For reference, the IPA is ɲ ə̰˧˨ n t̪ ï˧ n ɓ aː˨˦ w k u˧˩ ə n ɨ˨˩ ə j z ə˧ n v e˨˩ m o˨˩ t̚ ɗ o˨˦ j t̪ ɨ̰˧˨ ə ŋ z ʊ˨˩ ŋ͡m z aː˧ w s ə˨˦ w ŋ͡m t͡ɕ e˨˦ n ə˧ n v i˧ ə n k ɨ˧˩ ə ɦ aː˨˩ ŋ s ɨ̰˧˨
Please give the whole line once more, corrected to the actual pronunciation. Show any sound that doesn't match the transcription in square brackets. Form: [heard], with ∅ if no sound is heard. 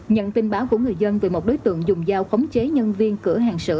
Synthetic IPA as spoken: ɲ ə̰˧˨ n t̪ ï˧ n ɓ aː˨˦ w k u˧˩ ə [ŋ] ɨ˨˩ ə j z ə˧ n v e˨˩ m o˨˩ t̚ ɗ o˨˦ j t̪ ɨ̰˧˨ ə ŋ z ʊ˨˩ ŋ͡m z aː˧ w [x] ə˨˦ w ŋ͡m t͡ɕ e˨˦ [ɲ] ə˧ n v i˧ ə n k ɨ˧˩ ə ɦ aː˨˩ ŋ s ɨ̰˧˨